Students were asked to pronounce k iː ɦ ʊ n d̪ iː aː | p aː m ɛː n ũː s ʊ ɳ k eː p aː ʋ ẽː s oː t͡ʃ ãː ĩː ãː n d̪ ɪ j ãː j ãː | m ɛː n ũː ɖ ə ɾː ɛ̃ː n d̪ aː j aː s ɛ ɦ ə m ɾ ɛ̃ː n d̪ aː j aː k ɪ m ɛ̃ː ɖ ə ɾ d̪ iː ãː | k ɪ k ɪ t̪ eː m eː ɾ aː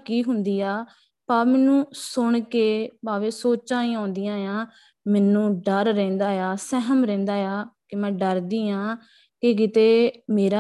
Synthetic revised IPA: k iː ɦ ʊ n d̪ iː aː | p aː m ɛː n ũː s ʊ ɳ k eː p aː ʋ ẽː s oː t͡ʃ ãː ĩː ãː n d̪ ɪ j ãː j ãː | m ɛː n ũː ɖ ə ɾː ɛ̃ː n d̪ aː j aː s ɛ ɦ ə m ɾ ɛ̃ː n d̪ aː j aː k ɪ m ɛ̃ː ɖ ə ɾ d̪ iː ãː | k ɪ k ɪ t̪ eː m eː ɾ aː